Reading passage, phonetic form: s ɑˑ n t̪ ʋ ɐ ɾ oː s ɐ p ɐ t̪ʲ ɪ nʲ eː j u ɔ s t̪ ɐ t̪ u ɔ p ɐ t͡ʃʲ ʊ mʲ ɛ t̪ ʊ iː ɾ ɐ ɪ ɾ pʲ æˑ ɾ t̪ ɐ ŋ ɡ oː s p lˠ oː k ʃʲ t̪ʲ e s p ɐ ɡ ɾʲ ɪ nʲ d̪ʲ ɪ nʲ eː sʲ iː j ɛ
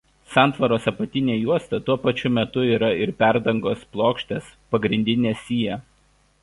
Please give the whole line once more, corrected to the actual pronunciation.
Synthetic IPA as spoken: s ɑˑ n t̪ ʋ ɐ ɾ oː s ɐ p ɐ t̪ʲ ɪ nʲ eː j u ɔ s t̪ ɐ t̪ u ɔ p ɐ t͡ʃʲ ʊ mʲ ɛ t̪ ʊ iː ɾ ɐ ɪ ɾ pʲ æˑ ɾ d̪ ɐ ŋ ɡ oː s p lˠ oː k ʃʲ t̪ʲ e s p ɐ ɡ ɾʲ ɪ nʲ d̪ʲ ɪ nʲ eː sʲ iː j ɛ